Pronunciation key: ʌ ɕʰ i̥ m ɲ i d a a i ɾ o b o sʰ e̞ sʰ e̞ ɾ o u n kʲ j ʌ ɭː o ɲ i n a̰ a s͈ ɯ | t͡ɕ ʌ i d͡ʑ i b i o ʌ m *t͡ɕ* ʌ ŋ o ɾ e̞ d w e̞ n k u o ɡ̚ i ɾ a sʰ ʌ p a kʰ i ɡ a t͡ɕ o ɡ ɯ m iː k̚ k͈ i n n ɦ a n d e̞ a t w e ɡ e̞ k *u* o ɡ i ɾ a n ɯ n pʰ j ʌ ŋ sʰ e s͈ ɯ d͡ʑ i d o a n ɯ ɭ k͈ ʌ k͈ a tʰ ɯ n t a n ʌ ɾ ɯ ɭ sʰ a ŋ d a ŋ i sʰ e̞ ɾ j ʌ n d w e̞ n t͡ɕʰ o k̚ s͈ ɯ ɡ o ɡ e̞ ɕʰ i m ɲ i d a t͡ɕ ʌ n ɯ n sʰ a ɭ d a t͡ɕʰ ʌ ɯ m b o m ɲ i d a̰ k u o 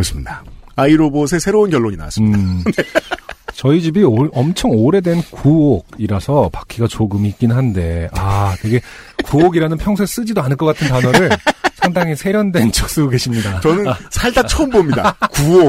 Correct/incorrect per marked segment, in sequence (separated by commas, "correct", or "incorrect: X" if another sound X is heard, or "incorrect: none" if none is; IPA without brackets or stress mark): incorrect: t͡ɕʰ, correct